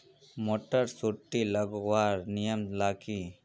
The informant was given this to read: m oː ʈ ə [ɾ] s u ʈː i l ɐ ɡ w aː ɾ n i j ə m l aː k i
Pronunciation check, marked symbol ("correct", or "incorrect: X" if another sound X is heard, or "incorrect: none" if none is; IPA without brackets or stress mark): correct